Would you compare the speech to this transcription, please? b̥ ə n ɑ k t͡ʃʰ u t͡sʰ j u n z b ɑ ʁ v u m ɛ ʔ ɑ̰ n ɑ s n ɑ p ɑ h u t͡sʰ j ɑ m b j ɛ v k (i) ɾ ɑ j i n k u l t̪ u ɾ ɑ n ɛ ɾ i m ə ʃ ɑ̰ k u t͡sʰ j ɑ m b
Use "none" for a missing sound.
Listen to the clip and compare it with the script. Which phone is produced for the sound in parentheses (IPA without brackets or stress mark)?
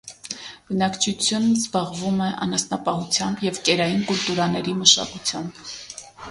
ɛ